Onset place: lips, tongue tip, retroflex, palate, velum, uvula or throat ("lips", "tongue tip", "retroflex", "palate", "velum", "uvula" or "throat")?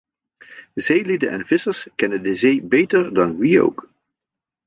tongue tip